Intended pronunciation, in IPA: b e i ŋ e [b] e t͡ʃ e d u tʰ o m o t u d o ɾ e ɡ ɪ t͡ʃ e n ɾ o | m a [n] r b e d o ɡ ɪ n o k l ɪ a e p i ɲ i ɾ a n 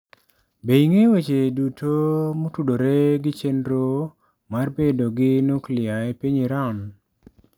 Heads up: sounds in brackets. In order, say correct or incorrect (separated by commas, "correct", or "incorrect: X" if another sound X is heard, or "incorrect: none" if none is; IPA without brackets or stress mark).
incorrect: w, incorrect: none